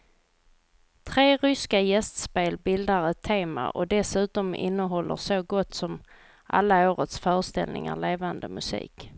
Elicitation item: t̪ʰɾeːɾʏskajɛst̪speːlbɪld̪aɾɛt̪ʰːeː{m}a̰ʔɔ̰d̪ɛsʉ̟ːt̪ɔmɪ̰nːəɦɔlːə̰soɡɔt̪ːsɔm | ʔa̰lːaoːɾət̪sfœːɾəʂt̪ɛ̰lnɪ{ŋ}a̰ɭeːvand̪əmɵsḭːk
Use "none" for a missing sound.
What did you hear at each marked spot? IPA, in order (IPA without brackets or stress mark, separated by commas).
m, ŋ